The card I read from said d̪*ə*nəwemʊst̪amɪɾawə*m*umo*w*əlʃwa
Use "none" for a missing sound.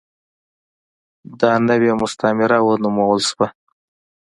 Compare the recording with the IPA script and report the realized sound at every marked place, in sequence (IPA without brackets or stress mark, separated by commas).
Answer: ɑ, n, w